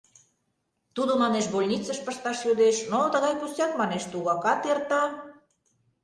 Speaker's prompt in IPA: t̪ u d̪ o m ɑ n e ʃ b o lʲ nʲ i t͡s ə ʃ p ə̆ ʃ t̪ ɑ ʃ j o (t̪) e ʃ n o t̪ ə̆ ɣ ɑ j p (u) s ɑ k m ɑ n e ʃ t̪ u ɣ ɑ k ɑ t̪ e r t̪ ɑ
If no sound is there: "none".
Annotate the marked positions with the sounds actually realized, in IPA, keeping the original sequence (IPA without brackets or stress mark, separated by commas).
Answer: d̪, u